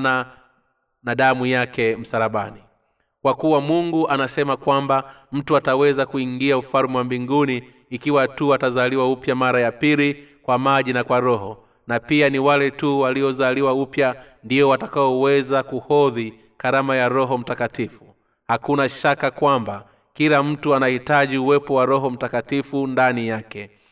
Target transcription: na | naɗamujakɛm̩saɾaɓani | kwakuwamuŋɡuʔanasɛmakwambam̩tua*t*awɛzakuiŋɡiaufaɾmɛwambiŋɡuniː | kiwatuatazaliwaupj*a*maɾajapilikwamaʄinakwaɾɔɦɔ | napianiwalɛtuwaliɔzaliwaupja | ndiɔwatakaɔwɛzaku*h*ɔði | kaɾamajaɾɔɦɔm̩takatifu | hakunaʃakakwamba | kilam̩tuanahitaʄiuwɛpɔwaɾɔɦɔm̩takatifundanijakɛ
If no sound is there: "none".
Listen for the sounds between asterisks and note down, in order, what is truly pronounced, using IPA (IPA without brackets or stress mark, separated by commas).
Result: t, a, h